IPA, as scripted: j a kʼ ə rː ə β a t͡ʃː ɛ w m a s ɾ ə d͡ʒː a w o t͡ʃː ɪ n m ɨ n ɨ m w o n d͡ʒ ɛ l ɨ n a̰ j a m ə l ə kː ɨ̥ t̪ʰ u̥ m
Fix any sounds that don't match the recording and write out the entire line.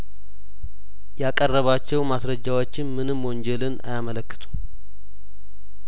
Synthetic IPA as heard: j a kʼ ə rː ə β a t͡ʃː ɛ w m a s ɾ ə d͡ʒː a w o t͡ʃː ɪ n m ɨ n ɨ m w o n d͡ʒ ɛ l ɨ n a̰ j a m ə l ə kː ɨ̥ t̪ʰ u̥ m